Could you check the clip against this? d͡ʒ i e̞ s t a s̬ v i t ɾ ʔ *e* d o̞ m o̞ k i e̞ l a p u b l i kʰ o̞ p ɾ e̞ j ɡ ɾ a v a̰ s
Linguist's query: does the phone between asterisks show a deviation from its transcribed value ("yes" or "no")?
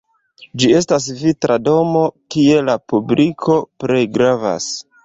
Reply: yes